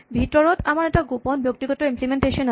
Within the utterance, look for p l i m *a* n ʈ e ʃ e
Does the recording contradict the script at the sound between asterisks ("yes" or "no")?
yes